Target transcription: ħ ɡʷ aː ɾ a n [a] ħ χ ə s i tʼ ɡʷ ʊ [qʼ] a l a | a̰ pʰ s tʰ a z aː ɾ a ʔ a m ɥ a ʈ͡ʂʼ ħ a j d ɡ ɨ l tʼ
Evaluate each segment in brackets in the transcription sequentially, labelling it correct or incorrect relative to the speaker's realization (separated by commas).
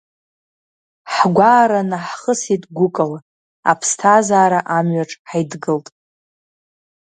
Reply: correct, incorrect